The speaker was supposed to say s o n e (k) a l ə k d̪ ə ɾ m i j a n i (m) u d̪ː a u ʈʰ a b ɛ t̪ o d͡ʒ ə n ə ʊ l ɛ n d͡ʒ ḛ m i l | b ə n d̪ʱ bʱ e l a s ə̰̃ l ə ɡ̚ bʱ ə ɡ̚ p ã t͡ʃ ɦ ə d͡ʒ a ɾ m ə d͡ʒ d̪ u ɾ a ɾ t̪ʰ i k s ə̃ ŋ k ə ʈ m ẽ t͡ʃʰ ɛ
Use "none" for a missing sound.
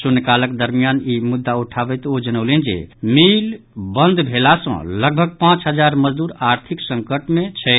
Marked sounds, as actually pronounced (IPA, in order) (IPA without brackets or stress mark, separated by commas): k, m